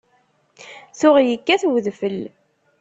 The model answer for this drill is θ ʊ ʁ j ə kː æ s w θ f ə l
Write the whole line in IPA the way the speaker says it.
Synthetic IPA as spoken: θ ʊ ʁ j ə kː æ θ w ð f ə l